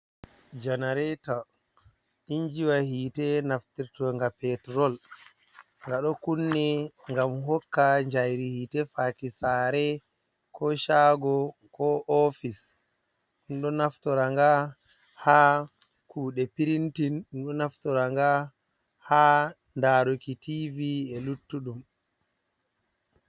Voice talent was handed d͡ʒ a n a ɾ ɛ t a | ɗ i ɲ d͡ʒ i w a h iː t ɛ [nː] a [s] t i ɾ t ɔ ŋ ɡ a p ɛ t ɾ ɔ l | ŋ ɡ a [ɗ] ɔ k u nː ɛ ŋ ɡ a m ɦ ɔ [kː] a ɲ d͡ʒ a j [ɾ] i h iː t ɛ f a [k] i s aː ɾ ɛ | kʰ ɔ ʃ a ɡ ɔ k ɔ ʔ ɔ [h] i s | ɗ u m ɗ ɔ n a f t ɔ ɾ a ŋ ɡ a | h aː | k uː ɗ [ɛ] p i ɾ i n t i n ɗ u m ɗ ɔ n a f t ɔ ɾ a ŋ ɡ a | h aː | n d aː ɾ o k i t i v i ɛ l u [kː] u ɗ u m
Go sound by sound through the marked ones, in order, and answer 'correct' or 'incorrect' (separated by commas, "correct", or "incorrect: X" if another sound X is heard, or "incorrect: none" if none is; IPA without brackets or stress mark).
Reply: incorrect: n, incorrect: f, correct, correct, correct, correct, incorrect: f, correct, incorrect: tː